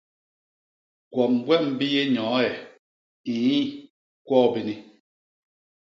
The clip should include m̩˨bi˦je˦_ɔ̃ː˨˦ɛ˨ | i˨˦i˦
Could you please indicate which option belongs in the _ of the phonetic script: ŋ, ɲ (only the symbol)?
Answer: ɲ